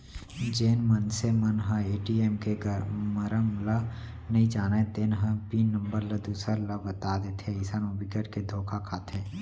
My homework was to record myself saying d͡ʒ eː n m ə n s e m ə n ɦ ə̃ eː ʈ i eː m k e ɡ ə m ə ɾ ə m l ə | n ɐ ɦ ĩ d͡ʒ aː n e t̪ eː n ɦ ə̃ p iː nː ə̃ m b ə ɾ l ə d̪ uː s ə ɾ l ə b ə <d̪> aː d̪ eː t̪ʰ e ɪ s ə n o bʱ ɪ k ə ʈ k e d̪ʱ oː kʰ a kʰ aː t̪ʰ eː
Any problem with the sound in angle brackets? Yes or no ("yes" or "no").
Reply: yes